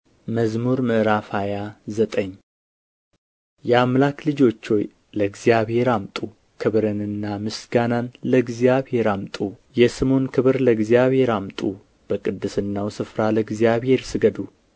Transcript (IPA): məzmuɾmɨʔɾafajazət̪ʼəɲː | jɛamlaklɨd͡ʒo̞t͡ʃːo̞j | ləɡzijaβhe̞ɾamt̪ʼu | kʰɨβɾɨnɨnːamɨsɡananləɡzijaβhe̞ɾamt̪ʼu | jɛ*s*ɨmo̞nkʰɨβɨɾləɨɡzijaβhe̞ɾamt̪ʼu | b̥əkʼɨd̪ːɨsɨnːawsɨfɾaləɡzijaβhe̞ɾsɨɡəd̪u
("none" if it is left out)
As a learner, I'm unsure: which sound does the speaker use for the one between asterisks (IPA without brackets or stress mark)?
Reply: s